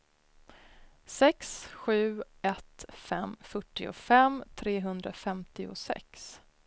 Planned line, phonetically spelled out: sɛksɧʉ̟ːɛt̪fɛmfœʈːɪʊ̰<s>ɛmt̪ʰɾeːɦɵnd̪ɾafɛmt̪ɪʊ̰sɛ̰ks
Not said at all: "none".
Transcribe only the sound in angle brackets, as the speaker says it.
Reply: f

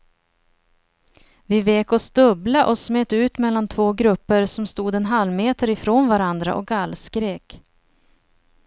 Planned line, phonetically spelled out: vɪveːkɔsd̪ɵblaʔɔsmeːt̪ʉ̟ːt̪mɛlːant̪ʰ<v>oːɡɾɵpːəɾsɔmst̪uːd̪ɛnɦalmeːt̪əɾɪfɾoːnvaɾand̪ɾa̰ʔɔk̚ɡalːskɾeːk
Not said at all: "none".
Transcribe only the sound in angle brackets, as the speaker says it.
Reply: v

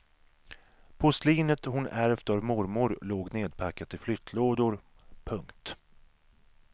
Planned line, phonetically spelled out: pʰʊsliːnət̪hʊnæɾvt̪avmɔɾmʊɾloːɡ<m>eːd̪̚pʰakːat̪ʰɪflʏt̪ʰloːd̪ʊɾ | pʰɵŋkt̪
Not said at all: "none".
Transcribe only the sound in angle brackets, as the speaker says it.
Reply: n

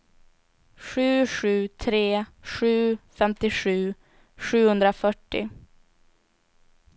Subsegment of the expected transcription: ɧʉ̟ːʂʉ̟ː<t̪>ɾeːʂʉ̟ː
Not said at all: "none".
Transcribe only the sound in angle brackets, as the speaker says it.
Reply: t̪ʰ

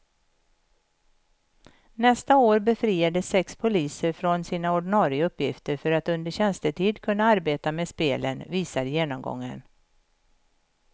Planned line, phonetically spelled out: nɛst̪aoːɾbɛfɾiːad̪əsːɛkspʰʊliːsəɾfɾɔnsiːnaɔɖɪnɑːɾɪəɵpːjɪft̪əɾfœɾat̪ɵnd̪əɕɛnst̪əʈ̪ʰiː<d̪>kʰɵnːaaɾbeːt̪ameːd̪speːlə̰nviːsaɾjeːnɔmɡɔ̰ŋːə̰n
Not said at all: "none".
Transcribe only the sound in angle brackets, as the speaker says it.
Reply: d̪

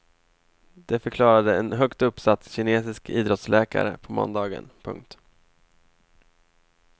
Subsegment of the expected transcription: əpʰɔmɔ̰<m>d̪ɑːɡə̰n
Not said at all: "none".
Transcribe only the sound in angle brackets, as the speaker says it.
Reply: n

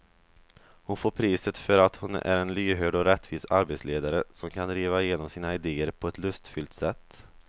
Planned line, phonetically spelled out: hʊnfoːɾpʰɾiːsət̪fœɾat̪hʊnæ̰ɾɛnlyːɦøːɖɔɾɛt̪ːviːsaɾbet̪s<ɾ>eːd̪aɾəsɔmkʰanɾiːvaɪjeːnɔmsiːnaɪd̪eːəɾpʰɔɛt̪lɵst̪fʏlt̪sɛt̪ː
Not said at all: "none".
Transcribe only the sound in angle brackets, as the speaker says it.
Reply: l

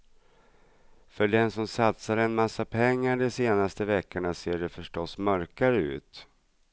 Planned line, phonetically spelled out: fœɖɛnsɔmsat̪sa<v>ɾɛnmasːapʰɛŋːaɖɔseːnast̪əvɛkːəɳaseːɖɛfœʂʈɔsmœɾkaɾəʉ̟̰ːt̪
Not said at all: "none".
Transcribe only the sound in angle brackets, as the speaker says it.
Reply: none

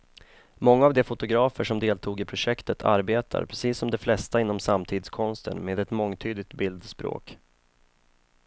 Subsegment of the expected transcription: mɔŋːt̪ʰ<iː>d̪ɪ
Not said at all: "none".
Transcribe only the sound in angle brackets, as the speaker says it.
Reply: yː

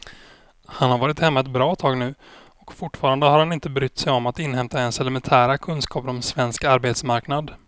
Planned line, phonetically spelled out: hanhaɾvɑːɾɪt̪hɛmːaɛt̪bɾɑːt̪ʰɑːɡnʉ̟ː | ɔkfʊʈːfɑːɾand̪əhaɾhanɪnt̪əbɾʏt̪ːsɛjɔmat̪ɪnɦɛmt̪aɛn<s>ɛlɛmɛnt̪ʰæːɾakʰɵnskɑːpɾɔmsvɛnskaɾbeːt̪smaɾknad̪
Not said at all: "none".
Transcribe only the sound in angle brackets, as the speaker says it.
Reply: s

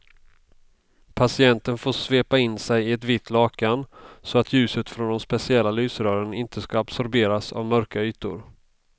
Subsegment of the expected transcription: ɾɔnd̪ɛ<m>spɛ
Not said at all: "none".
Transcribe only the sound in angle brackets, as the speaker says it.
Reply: m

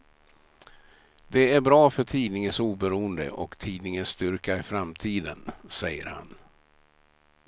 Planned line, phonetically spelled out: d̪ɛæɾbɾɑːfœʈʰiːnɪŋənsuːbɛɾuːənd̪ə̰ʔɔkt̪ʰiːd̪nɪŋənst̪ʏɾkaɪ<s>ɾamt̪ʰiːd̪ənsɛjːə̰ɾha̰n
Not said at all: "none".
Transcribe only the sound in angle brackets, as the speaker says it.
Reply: f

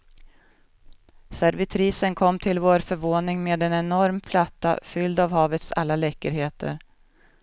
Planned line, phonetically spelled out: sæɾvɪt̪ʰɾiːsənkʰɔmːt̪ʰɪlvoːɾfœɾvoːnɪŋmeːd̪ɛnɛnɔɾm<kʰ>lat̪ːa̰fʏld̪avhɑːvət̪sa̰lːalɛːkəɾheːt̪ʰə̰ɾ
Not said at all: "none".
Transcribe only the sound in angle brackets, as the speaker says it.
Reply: pʰ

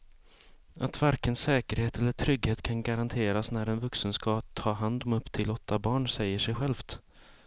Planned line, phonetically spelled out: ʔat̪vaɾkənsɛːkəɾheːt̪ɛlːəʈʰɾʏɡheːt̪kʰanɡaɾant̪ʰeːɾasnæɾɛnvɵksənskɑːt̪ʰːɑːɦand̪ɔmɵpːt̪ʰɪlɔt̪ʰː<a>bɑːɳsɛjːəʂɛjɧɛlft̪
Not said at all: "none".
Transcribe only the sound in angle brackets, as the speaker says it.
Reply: a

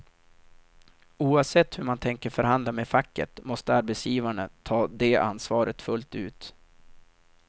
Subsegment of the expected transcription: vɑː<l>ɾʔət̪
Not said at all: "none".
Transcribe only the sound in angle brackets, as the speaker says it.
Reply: none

